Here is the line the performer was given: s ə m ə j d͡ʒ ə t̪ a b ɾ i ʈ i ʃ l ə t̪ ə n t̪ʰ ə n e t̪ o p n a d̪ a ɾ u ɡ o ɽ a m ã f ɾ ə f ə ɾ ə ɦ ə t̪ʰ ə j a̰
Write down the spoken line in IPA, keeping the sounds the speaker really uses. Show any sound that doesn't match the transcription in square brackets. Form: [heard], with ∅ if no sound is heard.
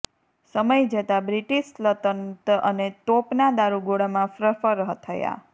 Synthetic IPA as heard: s ə m ə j d͡ʒ ə t̪ a b ɾ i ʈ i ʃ l ə t̪ ə n [t̪] ə n e t̪ o p n a d̪ a ɾ u ɡ o ɽ a m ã f ɾ ə f ə ɾ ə ɦ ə t̪ʰ ə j a̰